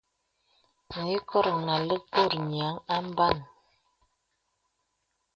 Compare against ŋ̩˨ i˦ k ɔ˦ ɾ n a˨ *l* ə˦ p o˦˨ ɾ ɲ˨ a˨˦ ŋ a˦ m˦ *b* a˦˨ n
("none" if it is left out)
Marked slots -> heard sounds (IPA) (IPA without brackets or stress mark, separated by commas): l, b